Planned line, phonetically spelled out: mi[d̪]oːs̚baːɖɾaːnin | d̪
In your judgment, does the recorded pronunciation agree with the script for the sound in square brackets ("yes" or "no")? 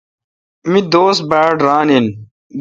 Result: yes